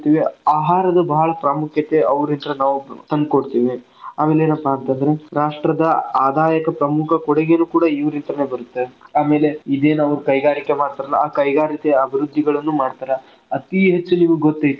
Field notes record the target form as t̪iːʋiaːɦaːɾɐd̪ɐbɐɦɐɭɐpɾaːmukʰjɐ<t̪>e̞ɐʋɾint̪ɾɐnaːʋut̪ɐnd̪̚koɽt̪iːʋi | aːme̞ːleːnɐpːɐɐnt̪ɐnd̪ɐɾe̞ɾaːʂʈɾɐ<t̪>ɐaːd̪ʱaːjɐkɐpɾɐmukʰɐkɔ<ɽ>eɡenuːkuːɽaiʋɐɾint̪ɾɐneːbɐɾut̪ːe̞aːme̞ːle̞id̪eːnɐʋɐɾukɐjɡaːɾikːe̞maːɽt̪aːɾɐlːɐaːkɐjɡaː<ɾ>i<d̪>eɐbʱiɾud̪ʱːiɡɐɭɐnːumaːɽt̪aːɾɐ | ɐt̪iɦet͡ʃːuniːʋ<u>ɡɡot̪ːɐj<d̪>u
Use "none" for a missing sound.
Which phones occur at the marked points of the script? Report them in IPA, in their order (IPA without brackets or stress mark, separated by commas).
t̪, d̪, ɽ, ɾ, t̪, u, t̪